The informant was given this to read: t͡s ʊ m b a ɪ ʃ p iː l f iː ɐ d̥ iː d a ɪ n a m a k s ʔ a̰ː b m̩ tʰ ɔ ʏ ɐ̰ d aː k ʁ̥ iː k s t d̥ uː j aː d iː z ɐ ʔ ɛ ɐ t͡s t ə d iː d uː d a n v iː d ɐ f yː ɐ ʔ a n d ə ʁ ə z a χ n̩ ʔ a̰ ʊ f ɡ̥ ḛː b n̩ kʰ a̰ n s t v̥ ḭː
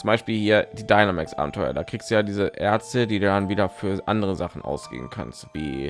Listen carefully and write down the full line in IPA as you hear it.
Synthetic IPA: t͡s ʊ m b a ɪ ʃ p iː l h iː ɐ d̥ iː d a ɪ n a m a k s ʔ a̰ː b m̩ tʰ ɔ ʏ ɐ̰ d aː k ʁ̥ iː k s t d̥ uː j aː d iː z ə ʔ ɛ ɐ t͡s t ə d iː d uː d a n v iː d ɐ f yː ɐ ʔ a n d ə ʁ ə z a χ n̩ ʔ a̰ ʊ s ɡ̥ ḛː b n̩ kʰ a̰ n s t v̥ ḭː

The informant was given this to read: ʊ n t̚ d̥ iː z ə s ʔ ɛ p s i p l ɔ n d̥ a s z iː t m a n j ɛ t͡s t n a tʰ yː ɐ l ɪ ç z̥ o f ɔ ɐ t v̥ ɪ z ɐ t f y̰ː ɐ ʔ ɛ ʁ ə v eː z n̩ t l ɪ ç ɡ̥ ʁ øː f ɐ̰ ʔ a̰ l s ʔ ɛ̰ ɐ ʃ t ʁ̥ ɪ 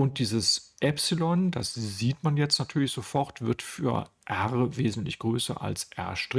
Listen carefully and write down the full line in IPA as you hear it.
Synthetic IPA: ʊ n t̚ d̥ iː z ə s ʔ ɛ p s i l ɔ n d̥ a s z iː t m a n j ɛ t͡s t n a tʰ yː ɐ l ɪ ç z̥ o f ɔ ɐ t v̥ ɪ ɐ t f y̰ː ɐ ʔ ɛ ʁ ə v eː z n̩ t l ɪ ç ɡ̥ ʁ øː s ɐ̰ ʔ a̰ l s ʔ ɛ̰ ɐ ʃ t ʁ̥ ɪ

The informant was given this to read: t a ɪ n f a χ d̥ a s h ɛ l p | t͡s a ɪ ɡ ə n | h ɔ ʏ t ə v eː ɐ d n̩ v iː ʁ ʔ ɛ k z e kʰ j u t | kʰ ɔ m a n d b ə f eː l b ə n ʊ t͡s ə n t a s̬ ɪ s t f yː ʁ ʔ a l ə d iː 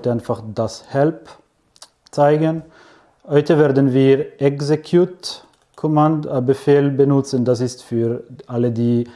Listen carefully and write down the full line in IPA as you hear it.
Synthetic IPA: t a ɪ n f a χ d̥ a s h ɛ l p | t͡s a ɪ ɡ ə n | h ɔ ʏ t ə v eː ɐ d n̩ v iː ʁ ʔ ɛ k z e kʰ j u t | kʰ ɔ m a n d b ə f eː l b ə n ʊ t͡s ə n d a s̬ ɪ s t f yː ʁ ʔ a l ə d iː

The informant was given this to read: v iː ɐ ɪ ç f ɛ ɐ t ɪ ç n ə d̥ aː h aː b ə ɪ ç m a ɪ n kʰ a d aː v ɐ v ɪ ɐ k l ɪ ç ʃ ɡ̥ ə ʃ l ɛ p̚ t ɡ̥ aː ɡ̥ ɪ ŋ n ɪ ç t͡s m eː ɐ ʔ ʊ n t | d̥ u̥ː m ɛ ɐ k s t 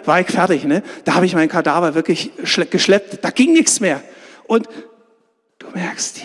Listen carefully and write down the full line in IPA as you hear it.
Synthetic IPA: v aː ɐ ɪ ç f ɛ ɐ t ɪ ç n ə d̥ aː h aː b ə ɪ ç m a ɪ n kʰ a d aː v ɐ v ɪ ɐ k l ɪ ç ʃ ɡ̥ ə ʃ l ɛ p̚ t d̥ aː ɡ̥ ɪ ŋ n ɪ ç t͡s m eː ɐ ʔ ʊ n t | d̥ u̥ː m ɛ ɐ k s t

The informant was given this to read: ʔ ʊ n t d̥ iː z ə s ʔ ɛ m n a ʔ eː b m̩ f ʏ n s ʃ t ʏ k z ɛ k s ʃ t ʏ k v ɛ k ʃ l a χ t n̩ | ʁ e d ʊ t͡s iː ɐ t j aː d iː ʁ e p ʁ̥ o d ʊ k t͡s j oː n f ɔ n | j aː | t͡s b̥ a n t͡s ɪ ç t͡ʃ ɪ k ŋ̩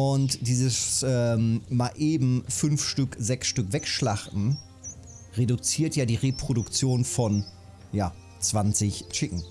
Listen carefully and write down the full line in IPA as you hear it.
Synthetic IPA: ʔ ʊ n t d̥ iː z ə s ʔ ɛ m m a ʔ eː b m̩ f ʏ n f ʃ t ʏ k z ɛ k s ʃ t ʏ k v ɛ k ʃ l a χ t n̩ | ʁ e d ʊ t͡s iː ɐ t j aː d iː ʁ e p ʁ̥ o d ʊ k t͡s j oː n f ɔ n | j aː | t͡s v̥ a n t͡s ɪ ç t͡ʃ ɪ k ŋ̩

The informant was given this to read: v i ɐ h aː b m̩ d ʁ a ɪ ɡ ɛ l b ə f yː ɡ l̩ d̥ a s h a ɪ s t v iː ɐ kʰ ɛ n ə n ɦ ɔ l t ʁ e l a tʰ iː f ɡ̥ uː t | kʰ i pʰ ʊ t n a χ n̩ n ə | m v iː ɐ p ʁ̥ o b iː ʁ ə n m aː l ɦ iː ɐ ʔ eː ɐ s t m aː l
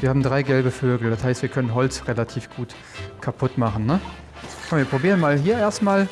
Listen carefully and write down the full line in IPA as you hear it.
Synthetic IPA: v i ɐ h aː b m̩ d ʁ a ɪ ɡ ɛ l b ə f øː ɡ l̩ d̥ a s h a ɪ s t v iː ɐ kʰ œ n ə n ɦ ɔ l t͡s ʁ e l a tʰ iː f ɡ̥ uː t | kʰ a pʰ ʊ t m a χ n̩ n ə | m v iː ɐ p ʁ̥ o b iː ʁ ə n m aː l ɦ iː ɐ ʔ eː ɐ s t m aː l

